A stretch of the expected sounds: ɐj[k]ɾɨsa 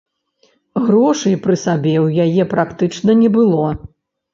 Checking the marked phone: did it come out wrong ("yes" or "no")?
yes